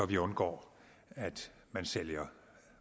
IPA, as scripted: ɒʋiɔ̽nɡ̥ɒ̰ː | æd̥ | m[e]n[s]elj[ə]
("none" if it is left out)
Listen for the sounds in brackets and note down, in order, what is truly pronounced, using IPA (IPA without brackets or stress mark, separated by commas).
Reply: æ, s, ɐ